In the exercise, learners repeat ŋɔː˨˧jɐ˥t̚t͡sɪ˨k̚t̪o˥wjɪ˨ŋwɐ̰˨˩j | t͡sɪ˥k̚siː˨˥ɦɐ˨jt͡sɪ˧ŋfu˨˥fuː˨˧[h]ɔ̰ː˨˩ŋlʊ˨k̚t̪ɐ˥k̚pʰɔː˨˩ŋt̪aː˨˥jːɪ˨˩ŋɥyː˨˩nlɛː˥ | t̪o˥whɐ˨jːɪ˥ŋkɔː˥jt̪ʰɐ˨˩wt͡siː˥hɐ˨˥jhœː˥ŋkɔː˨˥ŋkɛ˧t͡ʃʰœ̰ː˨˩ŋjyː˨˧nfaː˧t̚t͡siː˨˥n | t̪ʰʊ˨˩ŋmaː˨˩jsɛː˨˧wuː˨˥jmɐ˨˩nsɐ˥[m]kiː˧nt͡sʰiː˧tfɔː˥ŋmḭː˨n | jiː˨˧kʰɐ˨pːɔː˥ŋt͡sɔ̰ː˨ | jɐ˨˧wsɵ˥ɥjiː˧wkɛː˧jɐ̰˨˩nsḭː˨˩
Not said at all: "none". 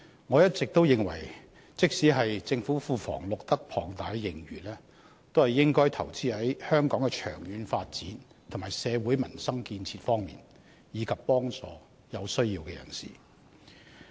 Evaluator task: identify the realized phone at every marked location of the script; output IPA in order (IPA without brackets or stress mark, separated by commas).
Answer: f, ŋ